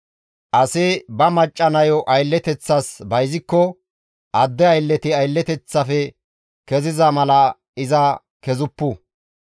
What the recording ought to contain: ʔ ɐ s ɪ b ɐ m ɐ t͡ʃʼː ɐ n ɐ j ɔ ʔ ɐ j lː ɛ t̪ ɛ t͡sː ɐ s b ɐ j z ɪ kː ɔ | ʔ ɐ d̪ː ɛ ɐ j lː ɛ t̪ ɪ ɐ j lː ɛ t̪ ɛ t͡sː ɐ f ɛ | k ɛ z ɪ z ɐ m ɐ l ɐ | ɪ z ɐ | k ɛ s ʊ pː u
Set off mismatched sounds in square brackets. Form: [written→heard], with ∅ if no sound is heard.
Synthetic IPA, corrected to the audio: ʔ ɐ s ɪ b ɐ m ɐ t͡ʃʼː ɐ n ɐ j ɔ ʔ ɐ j lː ɛ t̪ ɛ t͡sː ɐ s b ɐ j z ɪ kː ɔ | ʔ ɐ d̪ː ɛ ɐ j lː ɛ t̪ ɪ ɐ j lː ɛ t̪ ɛ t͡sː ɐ f ɛ | k ɛ z ɪ z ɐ m ɐ l ɐ | ɪ z ɐ | k ɛ [s→z] ʊ pː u